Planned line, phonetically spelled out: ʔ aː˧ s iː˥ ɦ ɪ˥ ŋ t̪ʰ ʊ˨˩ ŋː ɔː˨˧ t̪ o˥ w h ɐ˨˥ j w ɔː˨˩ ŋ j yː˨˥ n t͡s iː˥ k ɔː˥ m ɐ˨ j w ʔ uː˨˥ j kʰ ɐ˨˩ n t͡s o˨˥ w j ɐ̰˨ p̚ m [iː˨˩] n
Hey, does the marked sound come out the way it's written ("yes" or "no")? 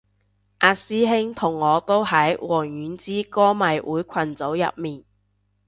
yes